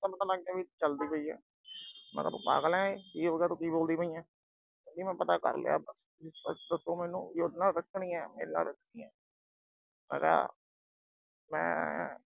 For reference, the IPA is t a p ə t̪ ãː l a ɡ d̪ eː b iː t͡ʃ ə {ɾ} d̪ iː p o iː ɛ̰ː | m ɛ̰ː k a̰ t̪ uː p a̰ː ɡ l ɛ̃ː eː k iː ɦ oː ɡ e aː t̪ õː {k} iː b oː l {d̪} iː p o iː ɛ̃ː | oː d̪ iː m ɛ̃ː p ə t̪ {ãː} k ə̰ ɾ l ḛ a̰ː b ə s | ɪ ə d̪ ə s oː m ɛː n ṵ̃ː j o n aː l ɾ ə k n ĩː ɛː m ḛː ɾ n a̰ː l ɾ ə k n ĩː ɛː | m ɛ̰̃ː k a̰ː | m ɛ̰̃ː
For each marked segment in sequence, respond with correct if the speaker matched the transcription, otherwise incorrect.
incorrect: l, correct, correct, incorrect: aː

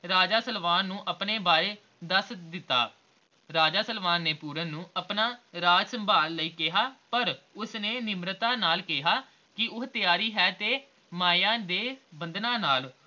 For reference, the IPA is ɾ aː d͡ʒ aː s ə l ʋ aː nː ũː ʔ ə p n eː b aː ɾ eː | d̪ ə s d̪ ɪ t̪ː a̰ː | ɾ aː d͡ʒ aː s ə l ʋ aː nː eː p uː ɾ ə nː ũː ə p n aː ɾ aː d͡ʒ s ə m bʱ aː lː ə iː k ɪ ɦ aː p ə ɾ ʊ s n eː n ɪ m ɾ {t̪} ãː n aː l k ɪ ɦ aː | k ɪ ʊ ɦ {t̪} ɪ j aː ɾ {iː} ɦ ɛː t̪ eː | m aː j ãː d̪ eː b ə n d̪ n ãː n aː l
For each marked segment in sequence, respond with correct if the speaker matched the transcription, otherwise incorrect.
correct, correct, correct

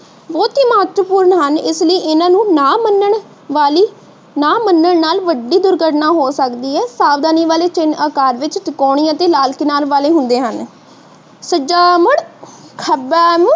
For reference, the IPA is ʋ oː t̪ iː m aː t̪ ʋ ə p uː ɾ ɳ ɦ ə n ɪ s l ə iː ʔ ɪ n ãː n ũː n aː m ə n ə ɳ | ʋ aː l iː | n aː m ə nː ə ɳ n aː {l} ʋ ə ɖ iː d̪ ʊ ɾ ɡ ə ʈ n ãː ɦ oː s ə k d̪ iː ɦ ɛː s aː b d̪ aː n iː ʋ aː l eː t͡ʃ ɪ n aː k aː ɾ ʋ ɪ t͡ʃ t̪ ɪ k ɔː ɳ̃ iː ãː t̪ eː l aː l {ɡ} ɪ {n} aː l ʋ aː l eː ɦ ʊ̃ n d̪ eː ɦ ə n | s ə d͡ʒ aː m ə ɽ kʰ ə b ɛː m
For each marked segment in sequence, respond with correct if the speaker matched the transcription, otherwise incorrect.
correct, incorrect: k, correct

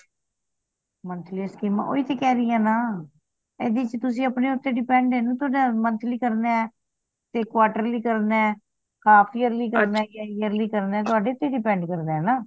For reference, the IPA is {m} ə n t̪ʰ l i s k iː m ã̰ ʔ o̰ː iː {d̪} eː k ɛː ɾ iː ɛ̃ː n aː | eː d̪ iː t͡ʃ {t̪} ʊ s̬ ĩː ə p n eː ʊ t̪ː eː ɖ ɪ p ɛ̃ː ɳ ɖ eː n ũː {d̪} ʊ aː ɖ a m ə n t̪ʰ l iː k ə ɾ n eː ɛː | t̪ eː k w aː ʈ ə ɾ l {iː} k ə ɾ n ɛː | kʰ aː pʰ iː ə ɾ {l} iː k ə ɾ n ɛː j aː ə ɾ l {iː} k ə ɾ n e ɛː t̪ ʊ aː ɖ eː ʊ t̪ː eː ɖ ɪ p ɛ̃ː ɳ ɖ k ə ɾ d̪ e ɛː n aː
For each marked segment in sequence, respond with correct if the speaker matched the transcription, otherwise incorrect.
correct, incorrect: t̪, correct, incorrect: t̪, correct, correct, correct

